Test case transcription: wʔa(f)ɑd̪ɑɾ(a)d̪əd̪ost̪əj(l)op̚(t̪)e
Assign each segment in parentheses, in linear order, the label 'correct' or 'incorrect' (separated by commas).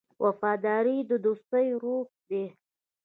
correct, incorrect, incorrect, incorrect